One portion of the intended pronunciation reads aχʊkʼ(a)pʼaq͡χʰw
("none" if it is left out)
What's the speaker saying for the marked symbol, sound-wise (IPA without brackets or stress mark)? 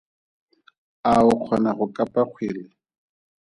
a